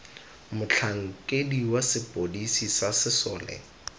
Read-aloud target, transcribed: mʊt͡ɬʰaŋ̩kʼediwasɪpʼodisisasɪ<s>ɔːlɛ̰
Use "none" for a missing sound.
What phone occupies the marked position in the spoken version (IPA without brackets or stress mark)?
s